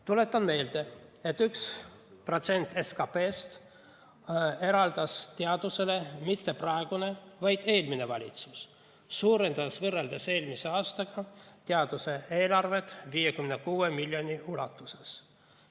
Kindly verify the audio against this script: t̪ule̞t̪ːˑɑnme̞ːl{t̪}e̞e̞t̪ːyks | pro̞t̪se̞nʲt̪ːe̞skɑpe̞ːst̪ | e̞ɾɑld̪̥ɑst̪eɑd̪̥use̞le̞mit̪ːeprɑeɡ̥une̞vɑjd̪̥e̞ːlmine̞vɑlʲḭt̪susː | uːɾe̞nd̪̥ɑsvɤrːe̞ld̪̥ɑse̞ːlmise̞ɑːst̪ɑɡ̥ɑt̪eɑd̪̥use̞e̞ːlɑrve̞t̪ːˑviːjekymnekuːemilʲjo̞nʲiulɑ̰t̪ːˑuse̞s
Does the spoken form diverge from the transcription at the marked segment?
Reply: yes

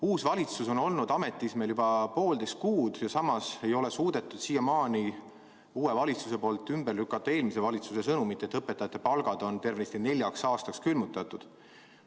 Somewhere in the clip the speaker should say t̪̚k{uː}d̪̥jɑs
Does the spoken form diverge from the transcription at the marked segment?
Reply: no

